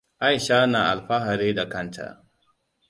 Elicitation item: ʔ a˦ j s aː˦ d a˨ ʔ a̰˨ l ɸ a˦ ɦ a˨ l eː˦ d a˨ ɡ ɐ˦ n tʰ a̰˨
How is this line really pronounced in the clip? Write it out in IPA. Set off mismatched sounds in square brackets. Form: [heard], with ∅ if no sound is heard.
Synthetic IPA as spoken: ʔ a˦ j [ʃ] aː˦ [n] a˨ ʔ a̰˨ l ɸ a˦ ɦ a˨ [ɾ] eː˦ d a˨ [k] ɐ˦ n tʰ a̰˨

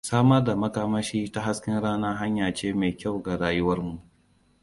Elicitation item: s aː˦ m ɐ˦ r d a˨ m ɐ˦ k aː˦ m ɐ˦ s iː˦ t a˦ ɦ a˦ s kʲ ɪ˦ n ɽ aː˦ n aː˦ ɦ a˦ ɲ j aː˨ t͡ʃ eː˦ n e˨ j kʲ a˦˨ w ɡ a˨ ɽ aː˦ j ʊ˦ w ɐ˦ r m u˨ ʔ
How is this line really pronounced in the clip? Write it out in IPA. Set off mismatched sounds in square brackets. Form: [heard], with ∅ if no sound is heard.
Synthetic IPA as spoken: s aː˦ m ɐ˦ r d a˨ m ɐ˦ k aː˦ m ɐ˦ [ʃ] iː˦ t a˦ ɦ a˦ s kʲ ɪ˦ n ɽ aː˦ n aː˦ ɦ a˦ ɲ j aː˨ t͡ʃ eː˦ [m] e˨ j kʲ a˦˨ w ɡ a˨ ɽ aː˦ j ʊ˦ w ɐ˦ r m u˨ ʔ

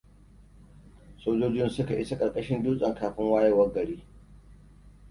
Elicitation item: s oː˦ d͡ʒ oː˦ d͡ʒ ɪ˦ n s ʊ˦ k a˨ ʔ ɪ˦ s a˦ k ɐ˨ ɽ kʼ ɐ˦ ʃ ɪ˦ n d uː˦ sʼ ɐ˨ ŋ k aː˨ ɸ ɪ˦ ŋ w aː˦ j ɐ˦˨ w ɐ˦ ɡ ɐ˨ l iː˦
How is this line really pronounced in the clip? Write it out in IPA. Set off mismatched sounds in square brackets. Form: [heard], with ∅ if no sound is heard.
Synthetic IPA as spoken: s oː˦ d͡ʒ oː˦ d͡ʒ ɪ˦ n s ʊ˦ k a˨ ʔ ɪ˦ s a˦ [kʼ] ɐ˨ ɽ kʼ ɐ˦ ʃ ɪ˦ n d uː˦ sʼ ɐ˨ ŋ k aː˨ ɸ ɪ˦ ŋ w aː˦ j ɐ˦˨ w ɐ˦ ɡ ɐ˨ [ɽ] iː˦

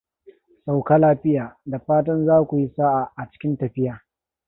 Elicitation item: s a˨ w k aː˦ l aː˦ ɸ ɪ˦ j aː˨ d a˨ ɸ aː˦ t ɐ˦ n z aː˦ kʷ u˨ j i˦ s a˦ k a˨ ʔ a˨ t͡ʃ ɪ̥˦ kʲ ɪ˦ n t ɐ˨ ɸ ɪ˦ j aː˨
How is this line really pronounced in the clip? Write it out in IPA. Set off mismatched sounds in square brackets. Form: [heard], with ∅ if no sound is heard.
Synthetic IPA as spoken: s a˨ w k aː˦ l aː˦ ɸ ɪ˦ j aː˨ d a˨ ɸ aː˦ t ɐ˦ n z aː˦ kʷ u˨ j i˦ s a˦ [ʔ] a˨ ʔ a˨ t͡ʃ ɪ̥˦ kʲ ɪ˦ n t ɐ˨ ɸ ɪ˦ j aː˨

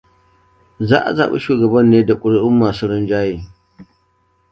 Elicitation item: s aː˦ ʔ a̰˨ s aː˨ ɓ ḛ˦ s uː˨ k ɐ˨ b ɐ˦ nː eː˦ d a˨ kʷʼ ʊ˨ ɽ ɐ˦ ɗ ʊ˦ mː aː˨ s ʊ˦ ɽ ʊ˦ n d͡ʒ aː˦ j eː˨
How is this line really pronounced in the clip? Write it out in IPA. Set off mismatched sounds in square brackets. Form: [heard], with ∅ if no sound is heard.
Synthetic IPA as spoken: [z] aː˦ ʔ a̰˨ [z] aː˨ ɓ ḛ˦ [ʃ] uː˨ [ɡ] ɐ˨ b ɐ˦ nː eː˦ d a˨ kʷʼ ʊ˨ ɽ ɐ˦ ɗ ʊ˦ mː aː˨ s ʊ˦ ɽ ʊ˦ n d͡ʒ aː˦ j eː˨

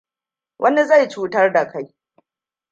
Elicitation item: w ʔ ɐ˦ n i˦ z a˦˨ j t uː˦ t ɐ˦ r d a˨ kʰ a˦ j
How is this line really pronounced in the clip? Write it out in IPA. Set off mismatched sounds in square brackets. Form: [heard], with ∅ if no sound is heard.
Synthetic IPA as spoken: w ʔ ɐ˦ n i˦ z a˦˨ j [t͡ʃ] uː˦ t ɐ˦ r d a˨ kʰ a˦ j

